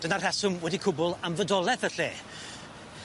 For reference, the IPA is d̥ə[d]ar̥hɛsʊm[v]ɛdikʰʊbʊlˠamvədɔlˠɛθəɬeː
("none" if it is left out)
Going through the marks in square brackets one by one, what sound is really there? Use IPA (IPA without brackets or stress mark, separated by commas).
n, w